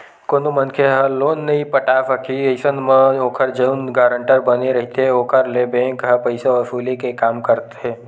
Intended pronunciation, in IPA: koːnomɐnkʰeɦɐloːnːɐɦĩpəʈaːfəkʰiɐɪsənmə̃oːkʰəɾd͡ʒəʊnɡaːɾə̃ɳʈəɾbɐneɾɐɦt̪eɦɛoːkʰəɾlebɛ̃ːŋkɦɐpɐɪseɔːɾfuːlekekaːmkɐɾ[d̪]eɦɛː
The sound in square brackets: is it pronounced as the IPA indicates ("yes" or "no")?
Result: no